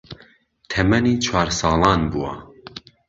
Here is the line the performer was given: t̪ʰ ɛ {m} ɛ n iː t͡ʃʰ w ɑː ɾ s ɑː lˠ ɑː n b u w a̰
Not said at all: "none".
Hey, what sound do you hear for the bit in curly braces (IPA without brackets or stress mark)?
m